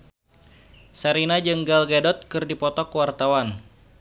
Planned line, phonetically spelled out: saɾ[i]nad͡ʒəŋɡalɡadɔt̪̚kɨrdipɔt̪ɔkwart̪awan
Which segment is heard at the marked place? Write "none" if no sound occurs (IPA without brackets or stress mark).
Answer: i